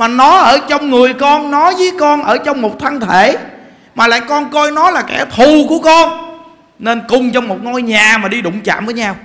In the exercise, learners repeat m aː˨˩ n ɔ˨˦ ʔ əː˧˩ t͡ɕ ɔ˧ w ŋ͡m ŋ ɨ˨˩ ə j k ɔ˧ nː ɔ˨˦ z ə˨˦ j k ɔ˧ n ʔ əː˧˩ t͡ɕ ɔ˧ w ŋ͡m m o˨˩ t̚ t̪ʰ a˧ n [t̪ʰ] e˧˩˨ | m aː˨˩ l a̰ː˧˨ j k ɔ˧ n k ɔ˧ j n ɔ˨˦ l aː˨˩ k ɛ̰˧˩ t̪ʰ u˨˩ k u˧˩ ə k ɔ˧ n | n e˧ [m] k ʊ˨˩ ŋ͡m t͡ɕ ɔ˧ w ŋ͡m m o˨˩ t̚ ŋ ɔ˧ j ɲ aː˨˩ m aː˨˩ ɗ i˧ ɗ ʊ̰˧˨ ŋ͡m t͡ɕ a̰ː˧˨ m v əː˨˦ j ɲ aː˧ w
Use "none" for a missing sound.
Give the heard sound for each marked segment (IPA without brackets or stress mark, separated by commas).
t̪ʰ, n